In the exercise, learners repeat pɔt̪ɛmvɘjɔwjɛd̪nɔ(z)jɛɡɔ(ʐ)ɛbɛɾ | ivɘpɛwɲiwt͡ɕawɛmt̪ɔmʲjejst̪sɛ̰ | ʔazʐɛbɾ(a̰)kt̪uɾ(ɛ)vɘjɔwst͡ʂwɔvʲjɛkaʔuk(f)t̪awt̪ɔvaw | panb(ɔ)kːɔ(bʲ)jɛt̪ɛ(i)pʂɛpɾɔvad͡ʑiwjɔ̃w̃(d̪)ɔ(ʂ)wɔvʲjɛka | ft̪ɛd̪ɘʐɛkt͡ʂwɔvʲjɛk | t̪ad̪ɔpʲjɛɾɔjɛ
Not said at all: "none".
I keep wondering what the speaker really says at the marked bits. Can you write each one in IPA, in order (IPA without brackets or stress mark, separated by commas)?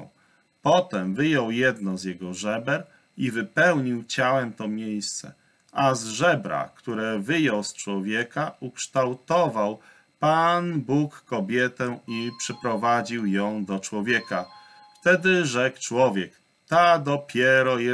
z, ʐ, a̰, ɛ, ʂ, u, bʲ, i, d̪, t͡ʂ